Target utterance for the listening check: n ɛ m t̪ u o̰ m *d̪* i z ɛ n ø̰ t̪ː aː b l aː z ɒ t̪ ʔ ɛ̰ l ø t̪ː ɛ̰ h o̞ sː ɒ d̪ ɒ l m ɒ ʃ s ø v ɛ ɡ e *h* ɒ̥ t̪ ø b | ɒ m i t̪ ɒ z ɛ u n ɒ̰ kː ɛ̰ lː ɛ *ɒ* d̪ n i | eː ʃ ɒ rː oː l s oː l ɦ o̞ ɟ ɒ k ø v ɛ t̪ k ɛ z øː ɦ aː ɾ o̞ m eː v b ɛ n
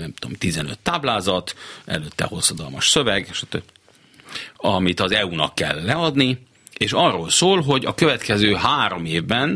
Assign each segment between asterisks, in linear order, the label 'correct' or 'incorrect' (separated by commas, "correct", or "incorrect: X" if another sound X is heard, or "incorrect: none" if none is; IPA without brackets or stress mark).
incorrect: t̪, incorrect: ʃ, correct